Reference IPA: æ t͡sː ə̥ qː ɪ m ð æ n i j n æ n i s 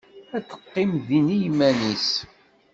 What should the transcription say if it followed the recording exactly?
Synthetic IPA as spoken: æ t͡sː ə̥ qː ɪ m ð i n i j m æ n i s